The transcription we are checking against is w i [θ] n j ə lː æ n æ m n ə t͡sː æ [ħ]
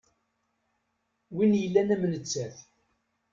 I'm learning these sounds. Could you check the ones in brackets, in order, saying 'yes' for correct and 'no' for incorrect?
no, no

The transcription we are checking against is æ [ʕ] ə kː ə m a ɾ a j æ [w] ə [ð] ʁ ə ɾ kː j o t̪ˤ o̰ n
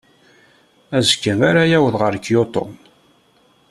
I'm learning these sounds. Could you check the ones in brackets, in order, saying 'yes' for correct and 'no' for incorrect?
no, yes, yes

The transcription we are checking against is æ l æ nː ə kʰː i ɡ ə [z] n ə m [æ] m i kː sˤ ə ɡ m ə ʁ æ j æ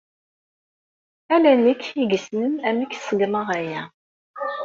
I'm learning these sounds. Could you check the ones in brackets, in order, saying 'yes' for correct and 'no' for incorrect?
no, yes

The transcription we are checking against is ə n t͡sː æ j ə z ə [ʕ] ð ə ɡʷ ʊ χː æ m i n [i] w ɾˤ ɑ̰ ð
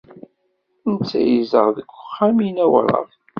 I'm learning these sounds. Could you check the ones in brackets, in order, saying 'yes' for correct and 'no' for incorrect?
no, no

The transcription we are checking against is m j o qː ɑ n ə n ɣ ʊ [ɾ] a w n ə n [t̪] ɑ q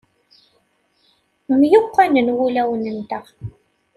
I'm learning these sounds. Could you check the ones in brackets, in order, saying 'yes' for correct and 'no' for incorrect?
no, yes

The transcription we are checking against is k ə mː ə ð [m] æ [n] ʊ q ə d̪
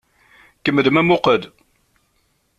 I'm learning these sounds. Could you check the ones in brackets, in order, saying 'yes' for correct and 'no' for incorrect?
yes, no

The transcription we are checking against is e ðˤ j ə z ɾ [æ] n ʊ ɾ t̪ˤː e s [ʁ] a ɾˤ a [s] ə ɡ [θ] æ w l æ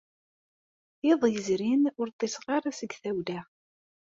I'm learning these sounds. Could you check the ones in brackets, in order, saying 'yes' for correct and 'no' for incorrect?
no, yes, yes, yes

